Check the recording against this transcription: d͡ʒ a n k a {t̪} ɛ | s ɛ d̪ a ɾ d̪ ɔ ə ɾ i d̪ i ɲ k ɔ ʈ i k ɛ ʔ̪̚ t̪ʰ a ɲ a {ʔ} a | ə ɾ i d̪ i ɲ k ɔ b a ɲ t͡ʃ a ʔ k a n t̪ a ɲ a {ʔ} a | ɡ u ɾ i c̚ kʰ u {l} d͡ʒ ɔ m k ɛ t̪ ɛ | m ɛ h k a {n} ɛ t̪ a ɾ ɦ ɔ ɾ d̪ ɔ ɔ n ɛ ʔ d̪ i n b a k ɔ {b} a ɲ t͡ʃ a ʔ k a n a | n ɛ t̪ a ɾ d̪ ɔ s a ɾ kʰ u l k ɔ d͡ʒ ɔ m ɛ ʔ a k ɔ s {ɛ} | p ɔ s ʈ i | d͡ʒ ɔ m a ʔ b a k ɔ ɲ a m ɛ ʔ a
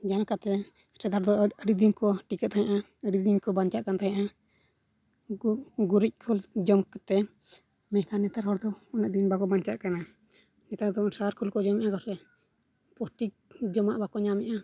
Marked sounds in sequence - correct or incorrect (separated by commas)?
correct, correct, correct, correct, correct, correct, correct